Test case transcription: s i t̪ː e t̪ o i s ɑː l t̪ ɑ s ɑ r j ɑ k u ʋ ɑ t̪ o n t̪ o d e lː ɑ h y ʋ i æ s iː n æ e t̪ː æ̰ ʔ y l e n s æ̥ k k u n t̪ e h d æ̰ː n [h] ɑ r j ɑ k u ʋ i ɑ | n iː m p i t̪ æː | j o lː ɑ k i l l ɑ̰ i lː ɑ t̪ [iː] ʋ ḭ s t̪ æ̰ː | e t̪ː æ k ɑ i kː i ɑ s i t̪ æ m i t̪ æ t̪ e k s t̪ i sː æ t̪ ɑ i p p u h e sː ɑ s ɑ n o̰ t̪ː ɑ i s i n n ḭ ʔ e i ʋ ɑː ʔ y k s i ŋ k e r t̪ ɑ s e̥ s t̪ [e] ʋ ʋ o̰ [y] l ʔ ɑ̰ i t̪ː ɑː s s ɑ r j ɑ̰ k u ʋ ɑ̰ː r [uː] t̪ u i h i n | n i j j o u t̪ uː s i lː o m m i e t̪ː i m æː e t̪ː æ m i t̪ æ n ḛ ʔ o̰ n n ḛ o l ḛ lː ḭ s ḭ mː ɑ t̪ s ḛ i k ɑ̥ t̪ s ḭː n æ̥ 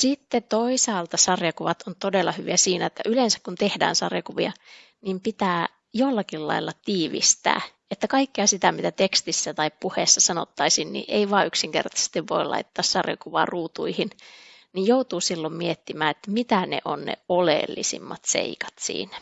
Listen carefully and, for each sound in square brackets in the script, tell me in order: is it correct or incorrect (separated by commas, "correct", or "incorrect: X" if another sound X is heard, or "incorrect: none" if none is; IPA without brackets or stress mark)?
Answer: incorrect: s, correct, incorrect: i, incorrect: i, correct